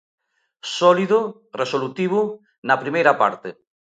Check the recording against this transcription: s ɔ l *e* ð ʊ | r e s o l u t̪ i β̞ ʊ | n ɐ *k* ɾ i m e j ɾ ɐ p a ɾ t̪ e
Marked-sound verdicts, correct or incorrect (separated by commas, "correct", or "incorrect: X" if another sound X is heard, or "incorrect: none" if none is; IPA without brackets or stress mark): incorrect: i, incorrect: p